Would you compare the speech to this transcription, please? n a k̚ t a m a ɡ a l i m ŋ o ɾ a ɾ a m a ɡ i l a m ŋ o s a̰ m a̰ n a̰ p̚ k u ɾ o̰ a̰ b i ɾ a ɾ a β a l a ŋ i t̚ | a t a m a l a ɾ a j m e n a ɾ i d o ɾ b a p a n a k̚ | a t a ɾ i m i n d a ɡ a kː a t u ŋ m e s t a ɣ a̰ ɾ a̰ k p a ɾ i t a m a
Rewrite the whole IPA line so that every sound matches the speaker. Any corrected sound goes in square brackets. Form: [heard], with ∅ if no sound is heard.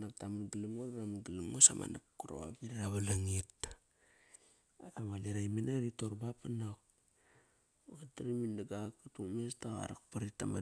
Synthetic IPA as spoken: n a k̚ t a m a ɡ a l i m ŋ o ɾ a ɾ a m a ɡ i l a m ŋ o s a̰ m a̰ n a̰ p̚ k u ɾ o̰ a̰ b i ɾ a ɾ a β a l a ŋ i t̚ | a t a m a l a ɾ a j m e n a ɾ i [t] o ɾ b a p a n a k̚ | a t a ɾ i m i n d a ɡ a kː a t u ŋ m e s t a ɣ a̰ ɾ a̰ k p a ɾ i t a m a